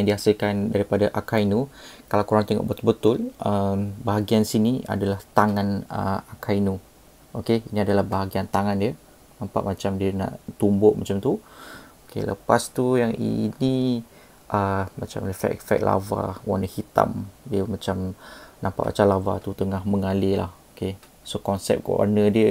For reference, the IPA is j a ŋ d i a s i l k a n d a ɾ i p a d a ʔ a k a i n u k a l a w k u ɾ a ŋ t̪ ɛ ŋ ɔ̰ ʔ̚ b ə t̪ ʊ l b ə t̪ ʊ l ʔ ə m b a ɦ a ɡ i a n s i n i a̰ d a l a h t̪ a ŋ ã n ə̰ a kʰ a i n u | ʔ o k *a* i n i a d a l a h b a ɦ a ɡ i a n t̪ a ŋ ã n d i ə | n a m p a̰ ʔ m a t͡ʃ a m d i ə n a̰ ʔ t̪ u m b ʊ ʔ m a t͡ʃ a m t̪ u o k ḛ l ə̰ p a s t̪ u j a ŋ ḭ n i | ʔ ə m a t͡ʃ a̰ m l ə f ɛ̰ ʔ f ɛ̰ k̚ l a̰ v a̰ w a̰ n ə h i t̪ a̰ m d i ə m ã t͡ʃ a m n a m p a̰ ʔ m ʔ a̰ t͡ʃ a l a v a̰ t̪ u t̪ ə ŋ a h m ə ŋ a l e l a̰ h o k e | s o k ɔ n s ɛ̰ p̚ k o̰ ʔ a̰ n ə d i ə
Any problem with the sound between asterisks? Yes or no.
yes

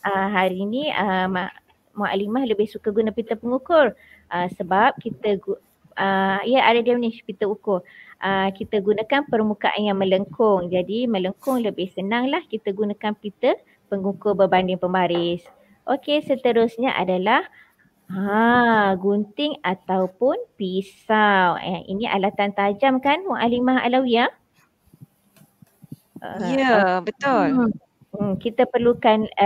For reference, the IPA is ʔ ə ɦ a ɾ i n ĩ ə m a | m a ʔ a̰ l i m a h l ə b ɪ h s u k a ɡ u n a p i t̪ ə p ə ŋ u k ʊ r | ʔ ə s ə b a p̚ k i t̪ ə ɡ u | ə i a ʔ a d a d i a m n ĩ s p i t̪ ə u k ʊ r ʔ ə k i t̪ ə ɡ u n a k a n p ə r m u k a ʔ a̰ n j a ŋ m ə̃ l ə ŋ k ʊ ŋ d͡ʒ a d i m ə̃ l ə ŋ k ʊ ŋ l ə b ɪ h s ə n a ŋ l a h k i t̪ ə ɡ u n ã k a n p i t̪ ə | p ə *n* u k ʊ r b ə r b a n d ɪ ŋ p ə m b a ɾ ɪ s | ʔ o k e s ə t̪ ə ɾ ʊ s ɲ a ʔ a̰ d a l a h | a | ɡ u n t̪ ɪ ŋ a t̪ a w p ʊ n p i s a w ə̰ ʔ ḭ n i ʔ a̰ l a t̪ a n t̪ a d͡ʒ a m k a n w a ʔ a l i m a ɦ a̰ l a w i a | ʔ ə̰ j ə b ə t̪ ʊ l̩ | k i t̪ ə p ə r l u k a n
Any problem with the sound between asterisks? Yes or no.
yes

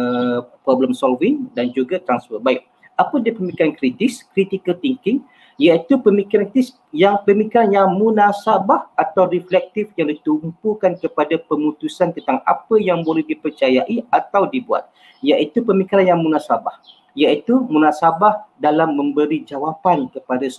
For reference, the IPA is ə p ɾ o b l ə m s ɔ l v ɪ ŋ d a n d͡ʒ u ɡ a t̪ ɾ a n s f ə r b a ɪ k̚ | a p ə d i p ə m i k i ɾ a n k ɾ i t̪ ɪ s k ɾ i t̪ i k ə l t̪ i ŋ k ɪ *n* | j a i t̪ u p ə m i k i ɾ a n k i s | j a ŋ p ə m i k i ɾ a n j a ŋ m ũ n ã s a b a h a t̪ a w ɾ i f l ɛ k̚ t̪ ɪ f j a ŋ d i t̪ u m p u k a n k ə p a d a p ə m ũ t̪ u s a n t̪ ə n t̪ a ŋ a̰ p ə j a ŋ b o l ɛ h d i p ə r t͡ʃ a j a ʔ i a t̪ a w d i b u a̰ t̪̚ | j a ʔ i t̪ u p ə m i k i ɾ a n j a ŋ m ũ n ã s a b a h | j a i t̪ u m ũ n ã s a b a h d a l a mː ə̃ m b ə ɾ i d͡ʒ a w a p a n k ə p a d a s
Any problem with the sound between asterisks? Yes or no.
yes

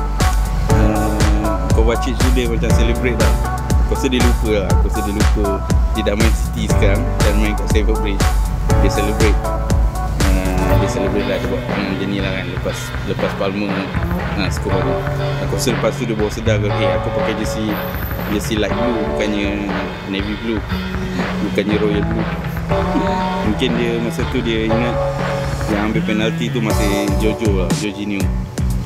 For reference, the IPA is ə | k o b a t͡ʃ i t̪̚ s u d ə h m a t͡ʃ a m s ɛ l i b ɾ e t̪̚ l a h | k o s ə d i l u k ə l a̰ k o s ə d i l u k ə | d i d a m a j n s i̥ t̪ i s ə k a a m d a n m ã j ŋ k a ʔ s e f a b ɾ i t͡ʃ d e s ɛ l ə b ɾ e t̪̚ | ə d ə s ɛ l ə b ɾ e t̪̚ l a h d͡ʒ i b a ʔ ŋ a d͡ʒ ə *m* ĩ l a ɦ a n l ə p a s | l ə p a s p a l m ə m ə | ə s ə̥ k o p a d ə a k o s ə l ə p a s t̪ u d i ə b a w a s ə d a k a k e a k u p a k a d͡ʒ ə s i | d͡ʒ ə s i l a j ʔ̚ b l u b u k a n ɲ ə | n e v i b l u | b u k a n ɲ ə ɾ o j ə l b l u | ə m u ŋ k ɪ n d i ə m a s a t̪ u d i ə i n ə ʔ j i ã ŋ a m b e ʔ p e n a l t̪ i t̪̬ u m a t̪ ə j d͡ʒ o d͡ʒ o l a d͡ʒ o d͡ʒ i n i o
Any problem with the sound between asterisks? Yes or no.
yes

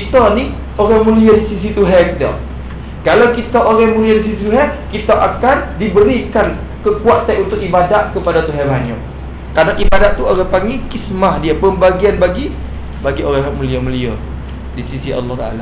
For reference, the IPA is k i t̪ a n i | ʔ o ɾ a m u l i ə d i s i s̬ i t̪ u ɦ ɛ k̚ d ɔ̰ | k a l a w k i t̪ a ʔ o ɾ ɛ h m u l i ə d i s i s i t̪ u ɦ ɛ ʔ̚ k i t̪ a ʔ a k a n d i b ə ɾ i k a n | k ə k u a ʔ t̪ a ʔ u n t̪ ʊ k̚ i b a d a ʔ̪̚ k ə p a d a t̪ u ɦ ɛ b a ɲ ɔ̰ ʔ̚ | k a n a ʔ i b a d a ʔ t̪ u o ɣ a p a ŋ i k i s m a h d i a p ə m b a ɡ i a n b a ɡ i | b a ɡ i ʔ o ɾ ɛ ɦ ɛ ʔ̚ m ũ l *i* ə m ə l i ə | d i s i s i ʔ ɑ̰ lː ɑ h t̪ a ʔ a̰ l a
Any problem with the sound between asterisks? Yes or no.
no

